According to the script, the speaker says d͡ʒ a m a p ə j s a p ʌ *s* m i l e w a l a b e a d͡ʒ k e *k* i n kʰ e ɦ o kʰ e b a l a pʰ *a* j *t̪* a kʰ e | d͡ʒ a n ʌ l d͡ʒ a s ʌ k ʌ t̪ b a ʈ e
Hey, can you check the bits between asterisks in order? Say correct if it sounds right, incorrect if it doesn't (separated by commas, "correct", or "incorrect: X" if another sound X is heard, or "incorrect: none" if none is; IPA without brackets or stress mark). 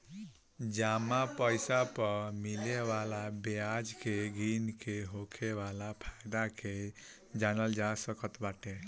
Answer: incorrect: none, incorrect: ɡ, correct, incorrect: d̪